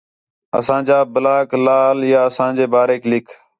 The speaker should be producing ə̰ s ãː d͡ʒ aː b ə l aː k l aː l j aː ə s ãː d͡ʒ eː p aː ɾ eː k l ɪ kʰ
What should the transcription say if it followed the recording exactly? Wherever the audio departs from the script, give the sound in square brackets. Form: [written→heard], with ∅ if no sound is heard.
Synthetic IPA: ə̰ s ãː d͡ʒ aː b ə l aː k l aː l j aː ə s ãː d͡ʒ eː [p→b] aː ɾ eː k l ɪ kʰ